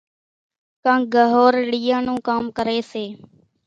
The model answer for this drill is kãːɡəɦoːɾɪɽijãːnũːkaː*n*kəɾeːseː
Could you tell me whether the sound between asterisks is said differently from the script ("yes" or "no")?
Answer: yes